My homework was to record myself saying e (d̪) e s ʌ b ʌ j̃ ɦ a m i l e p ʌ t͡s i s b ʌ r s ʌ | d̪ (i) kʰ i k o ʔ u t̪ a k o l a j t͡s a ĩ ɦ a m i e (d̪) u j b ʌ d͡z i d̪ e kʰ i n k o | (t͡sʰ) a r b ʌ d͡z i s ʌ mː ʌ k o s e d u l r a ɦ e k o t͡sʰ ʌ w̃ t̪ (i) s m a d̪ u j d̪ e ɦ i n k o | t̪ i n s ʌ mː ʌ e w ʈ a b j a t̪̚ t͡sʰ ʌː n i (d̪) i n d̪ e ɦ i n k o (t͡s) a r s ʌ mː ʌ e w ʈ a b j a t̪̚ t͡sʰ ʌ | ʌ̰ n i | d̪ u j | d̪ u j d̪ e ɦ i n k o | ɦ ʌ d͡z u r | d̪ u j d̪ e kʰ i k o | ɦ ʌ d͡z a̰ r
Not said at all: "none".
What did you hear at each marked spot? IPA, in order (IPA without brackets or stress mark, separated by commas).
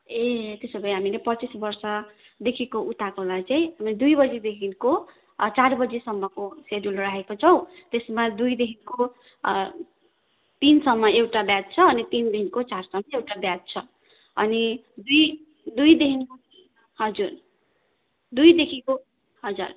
t̪, e, d̪, t͡s, e, t̪, t͡s